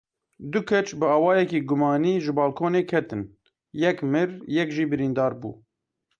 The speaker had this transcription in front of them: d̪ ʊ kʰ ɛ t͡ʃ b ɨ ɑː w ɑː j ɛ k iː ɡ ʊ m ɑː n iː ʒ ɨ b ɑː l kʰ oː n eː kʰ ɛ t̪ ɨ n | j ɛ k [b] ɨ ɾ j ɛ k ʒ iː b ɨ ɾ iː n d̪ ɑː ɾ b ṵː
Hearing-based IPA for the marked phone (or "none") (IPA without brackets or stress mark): m